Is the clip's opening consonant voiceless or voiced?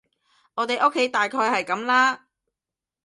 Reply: voiced